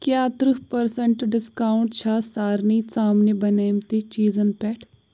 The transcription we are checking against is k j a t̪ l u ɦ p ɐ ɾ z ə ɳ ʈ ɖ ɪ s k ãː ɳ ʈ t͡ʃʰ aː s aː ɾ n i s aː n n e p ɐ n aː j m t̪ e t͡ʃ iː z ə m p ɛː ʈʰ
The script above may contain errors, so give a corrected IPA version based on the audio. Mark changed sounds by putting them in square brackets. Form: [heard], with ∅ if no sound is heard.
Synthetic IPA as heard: k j a t̪ [ɾ] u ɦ p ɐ ɾ [s] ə ɳ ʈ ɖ ɪ s k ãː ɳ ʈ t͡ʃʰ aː s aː ɾ n i s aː [m] n e [b] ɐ n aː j m t̪ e t͡ʃ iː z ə [n] p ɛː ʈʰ